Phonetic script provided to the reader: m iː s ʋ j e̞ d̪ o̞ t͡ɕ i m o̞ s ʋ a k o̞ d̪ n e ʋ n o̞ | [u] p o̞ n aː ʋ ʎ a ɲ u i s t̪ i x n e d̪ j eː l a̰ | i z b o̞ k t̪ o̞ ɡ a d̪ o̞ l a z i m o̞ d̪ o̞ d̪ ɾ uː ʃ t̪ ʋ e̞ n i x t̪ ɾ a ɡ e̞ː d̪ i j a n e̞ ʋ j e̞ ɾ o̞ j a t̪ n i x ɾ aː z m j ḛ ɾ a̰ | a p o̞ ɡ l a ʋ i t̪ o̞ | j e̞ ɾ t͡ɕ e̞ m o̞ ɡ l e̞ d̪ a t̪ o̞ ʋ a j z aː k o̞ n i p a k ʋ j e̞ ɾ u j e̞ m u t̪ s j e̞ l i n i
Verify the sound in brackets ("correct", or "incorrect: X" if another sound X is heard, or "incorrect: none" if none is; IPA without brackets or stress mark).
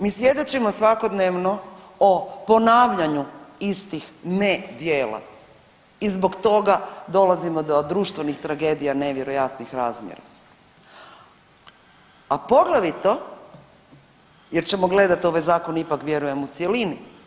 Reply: incorrect: o